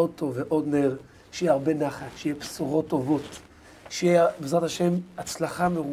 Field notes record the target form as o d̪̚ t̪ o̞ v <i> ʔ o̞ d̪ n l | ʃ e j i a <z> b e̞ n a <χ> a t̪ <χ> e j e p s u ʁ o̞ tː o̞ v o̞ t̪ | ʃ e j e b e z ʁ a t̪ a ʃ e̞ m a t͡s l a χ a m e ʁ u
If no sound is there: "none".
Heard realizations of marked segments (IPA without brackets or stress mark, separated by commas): e, ʁ, χ, ʃ